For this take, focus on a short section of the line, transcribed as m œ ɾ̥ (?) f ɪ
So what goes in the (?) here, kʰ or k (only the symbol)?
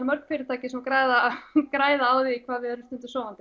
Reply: k